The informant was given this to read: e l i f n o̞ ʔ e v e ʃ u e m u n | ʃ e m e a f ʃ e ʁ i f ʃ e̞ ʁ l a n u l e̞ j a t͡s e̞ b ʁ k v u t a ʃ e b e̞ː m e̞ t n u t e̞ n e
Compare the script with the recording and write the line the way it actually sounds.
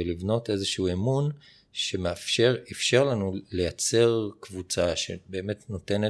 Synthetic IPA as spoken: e l i v n o̞ t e z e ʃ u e m u n | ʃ e m e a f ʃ e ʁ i f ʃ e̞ ʁ l a n u l e̞ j a t͡s e̞ ʁ k v u t͡s a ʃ e b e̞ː m e̞ t n o t e̞ n e